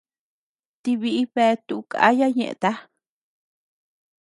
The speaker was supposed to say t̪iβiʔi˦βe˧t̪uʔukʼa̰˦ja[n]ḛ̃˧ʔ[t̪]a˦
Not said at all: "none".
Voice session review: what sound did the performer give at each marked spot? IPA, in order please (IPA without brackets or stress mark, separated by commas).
ɲ, t̪